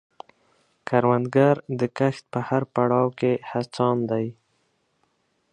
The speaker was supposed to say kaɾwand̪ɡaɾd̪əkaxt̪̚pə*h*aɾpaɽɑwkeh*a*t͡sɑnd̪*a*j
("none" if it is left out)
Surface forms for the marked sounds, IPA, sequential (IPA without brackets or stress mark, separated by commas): h, a, a